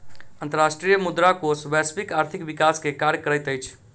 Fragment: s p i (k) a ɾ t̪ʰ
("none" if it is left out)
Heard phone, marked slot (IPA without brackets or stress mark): k